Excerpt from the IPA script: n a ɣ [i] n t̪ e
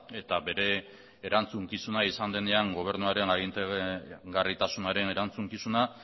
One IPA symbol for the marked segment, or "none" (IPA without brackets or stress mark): i